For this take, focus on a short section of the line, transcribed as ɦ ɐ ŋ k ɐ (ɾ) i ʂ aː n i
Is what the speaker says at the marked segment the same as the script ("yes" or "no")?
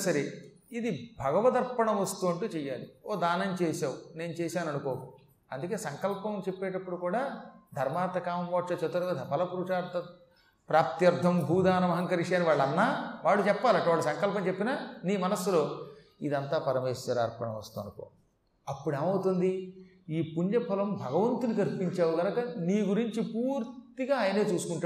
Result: yes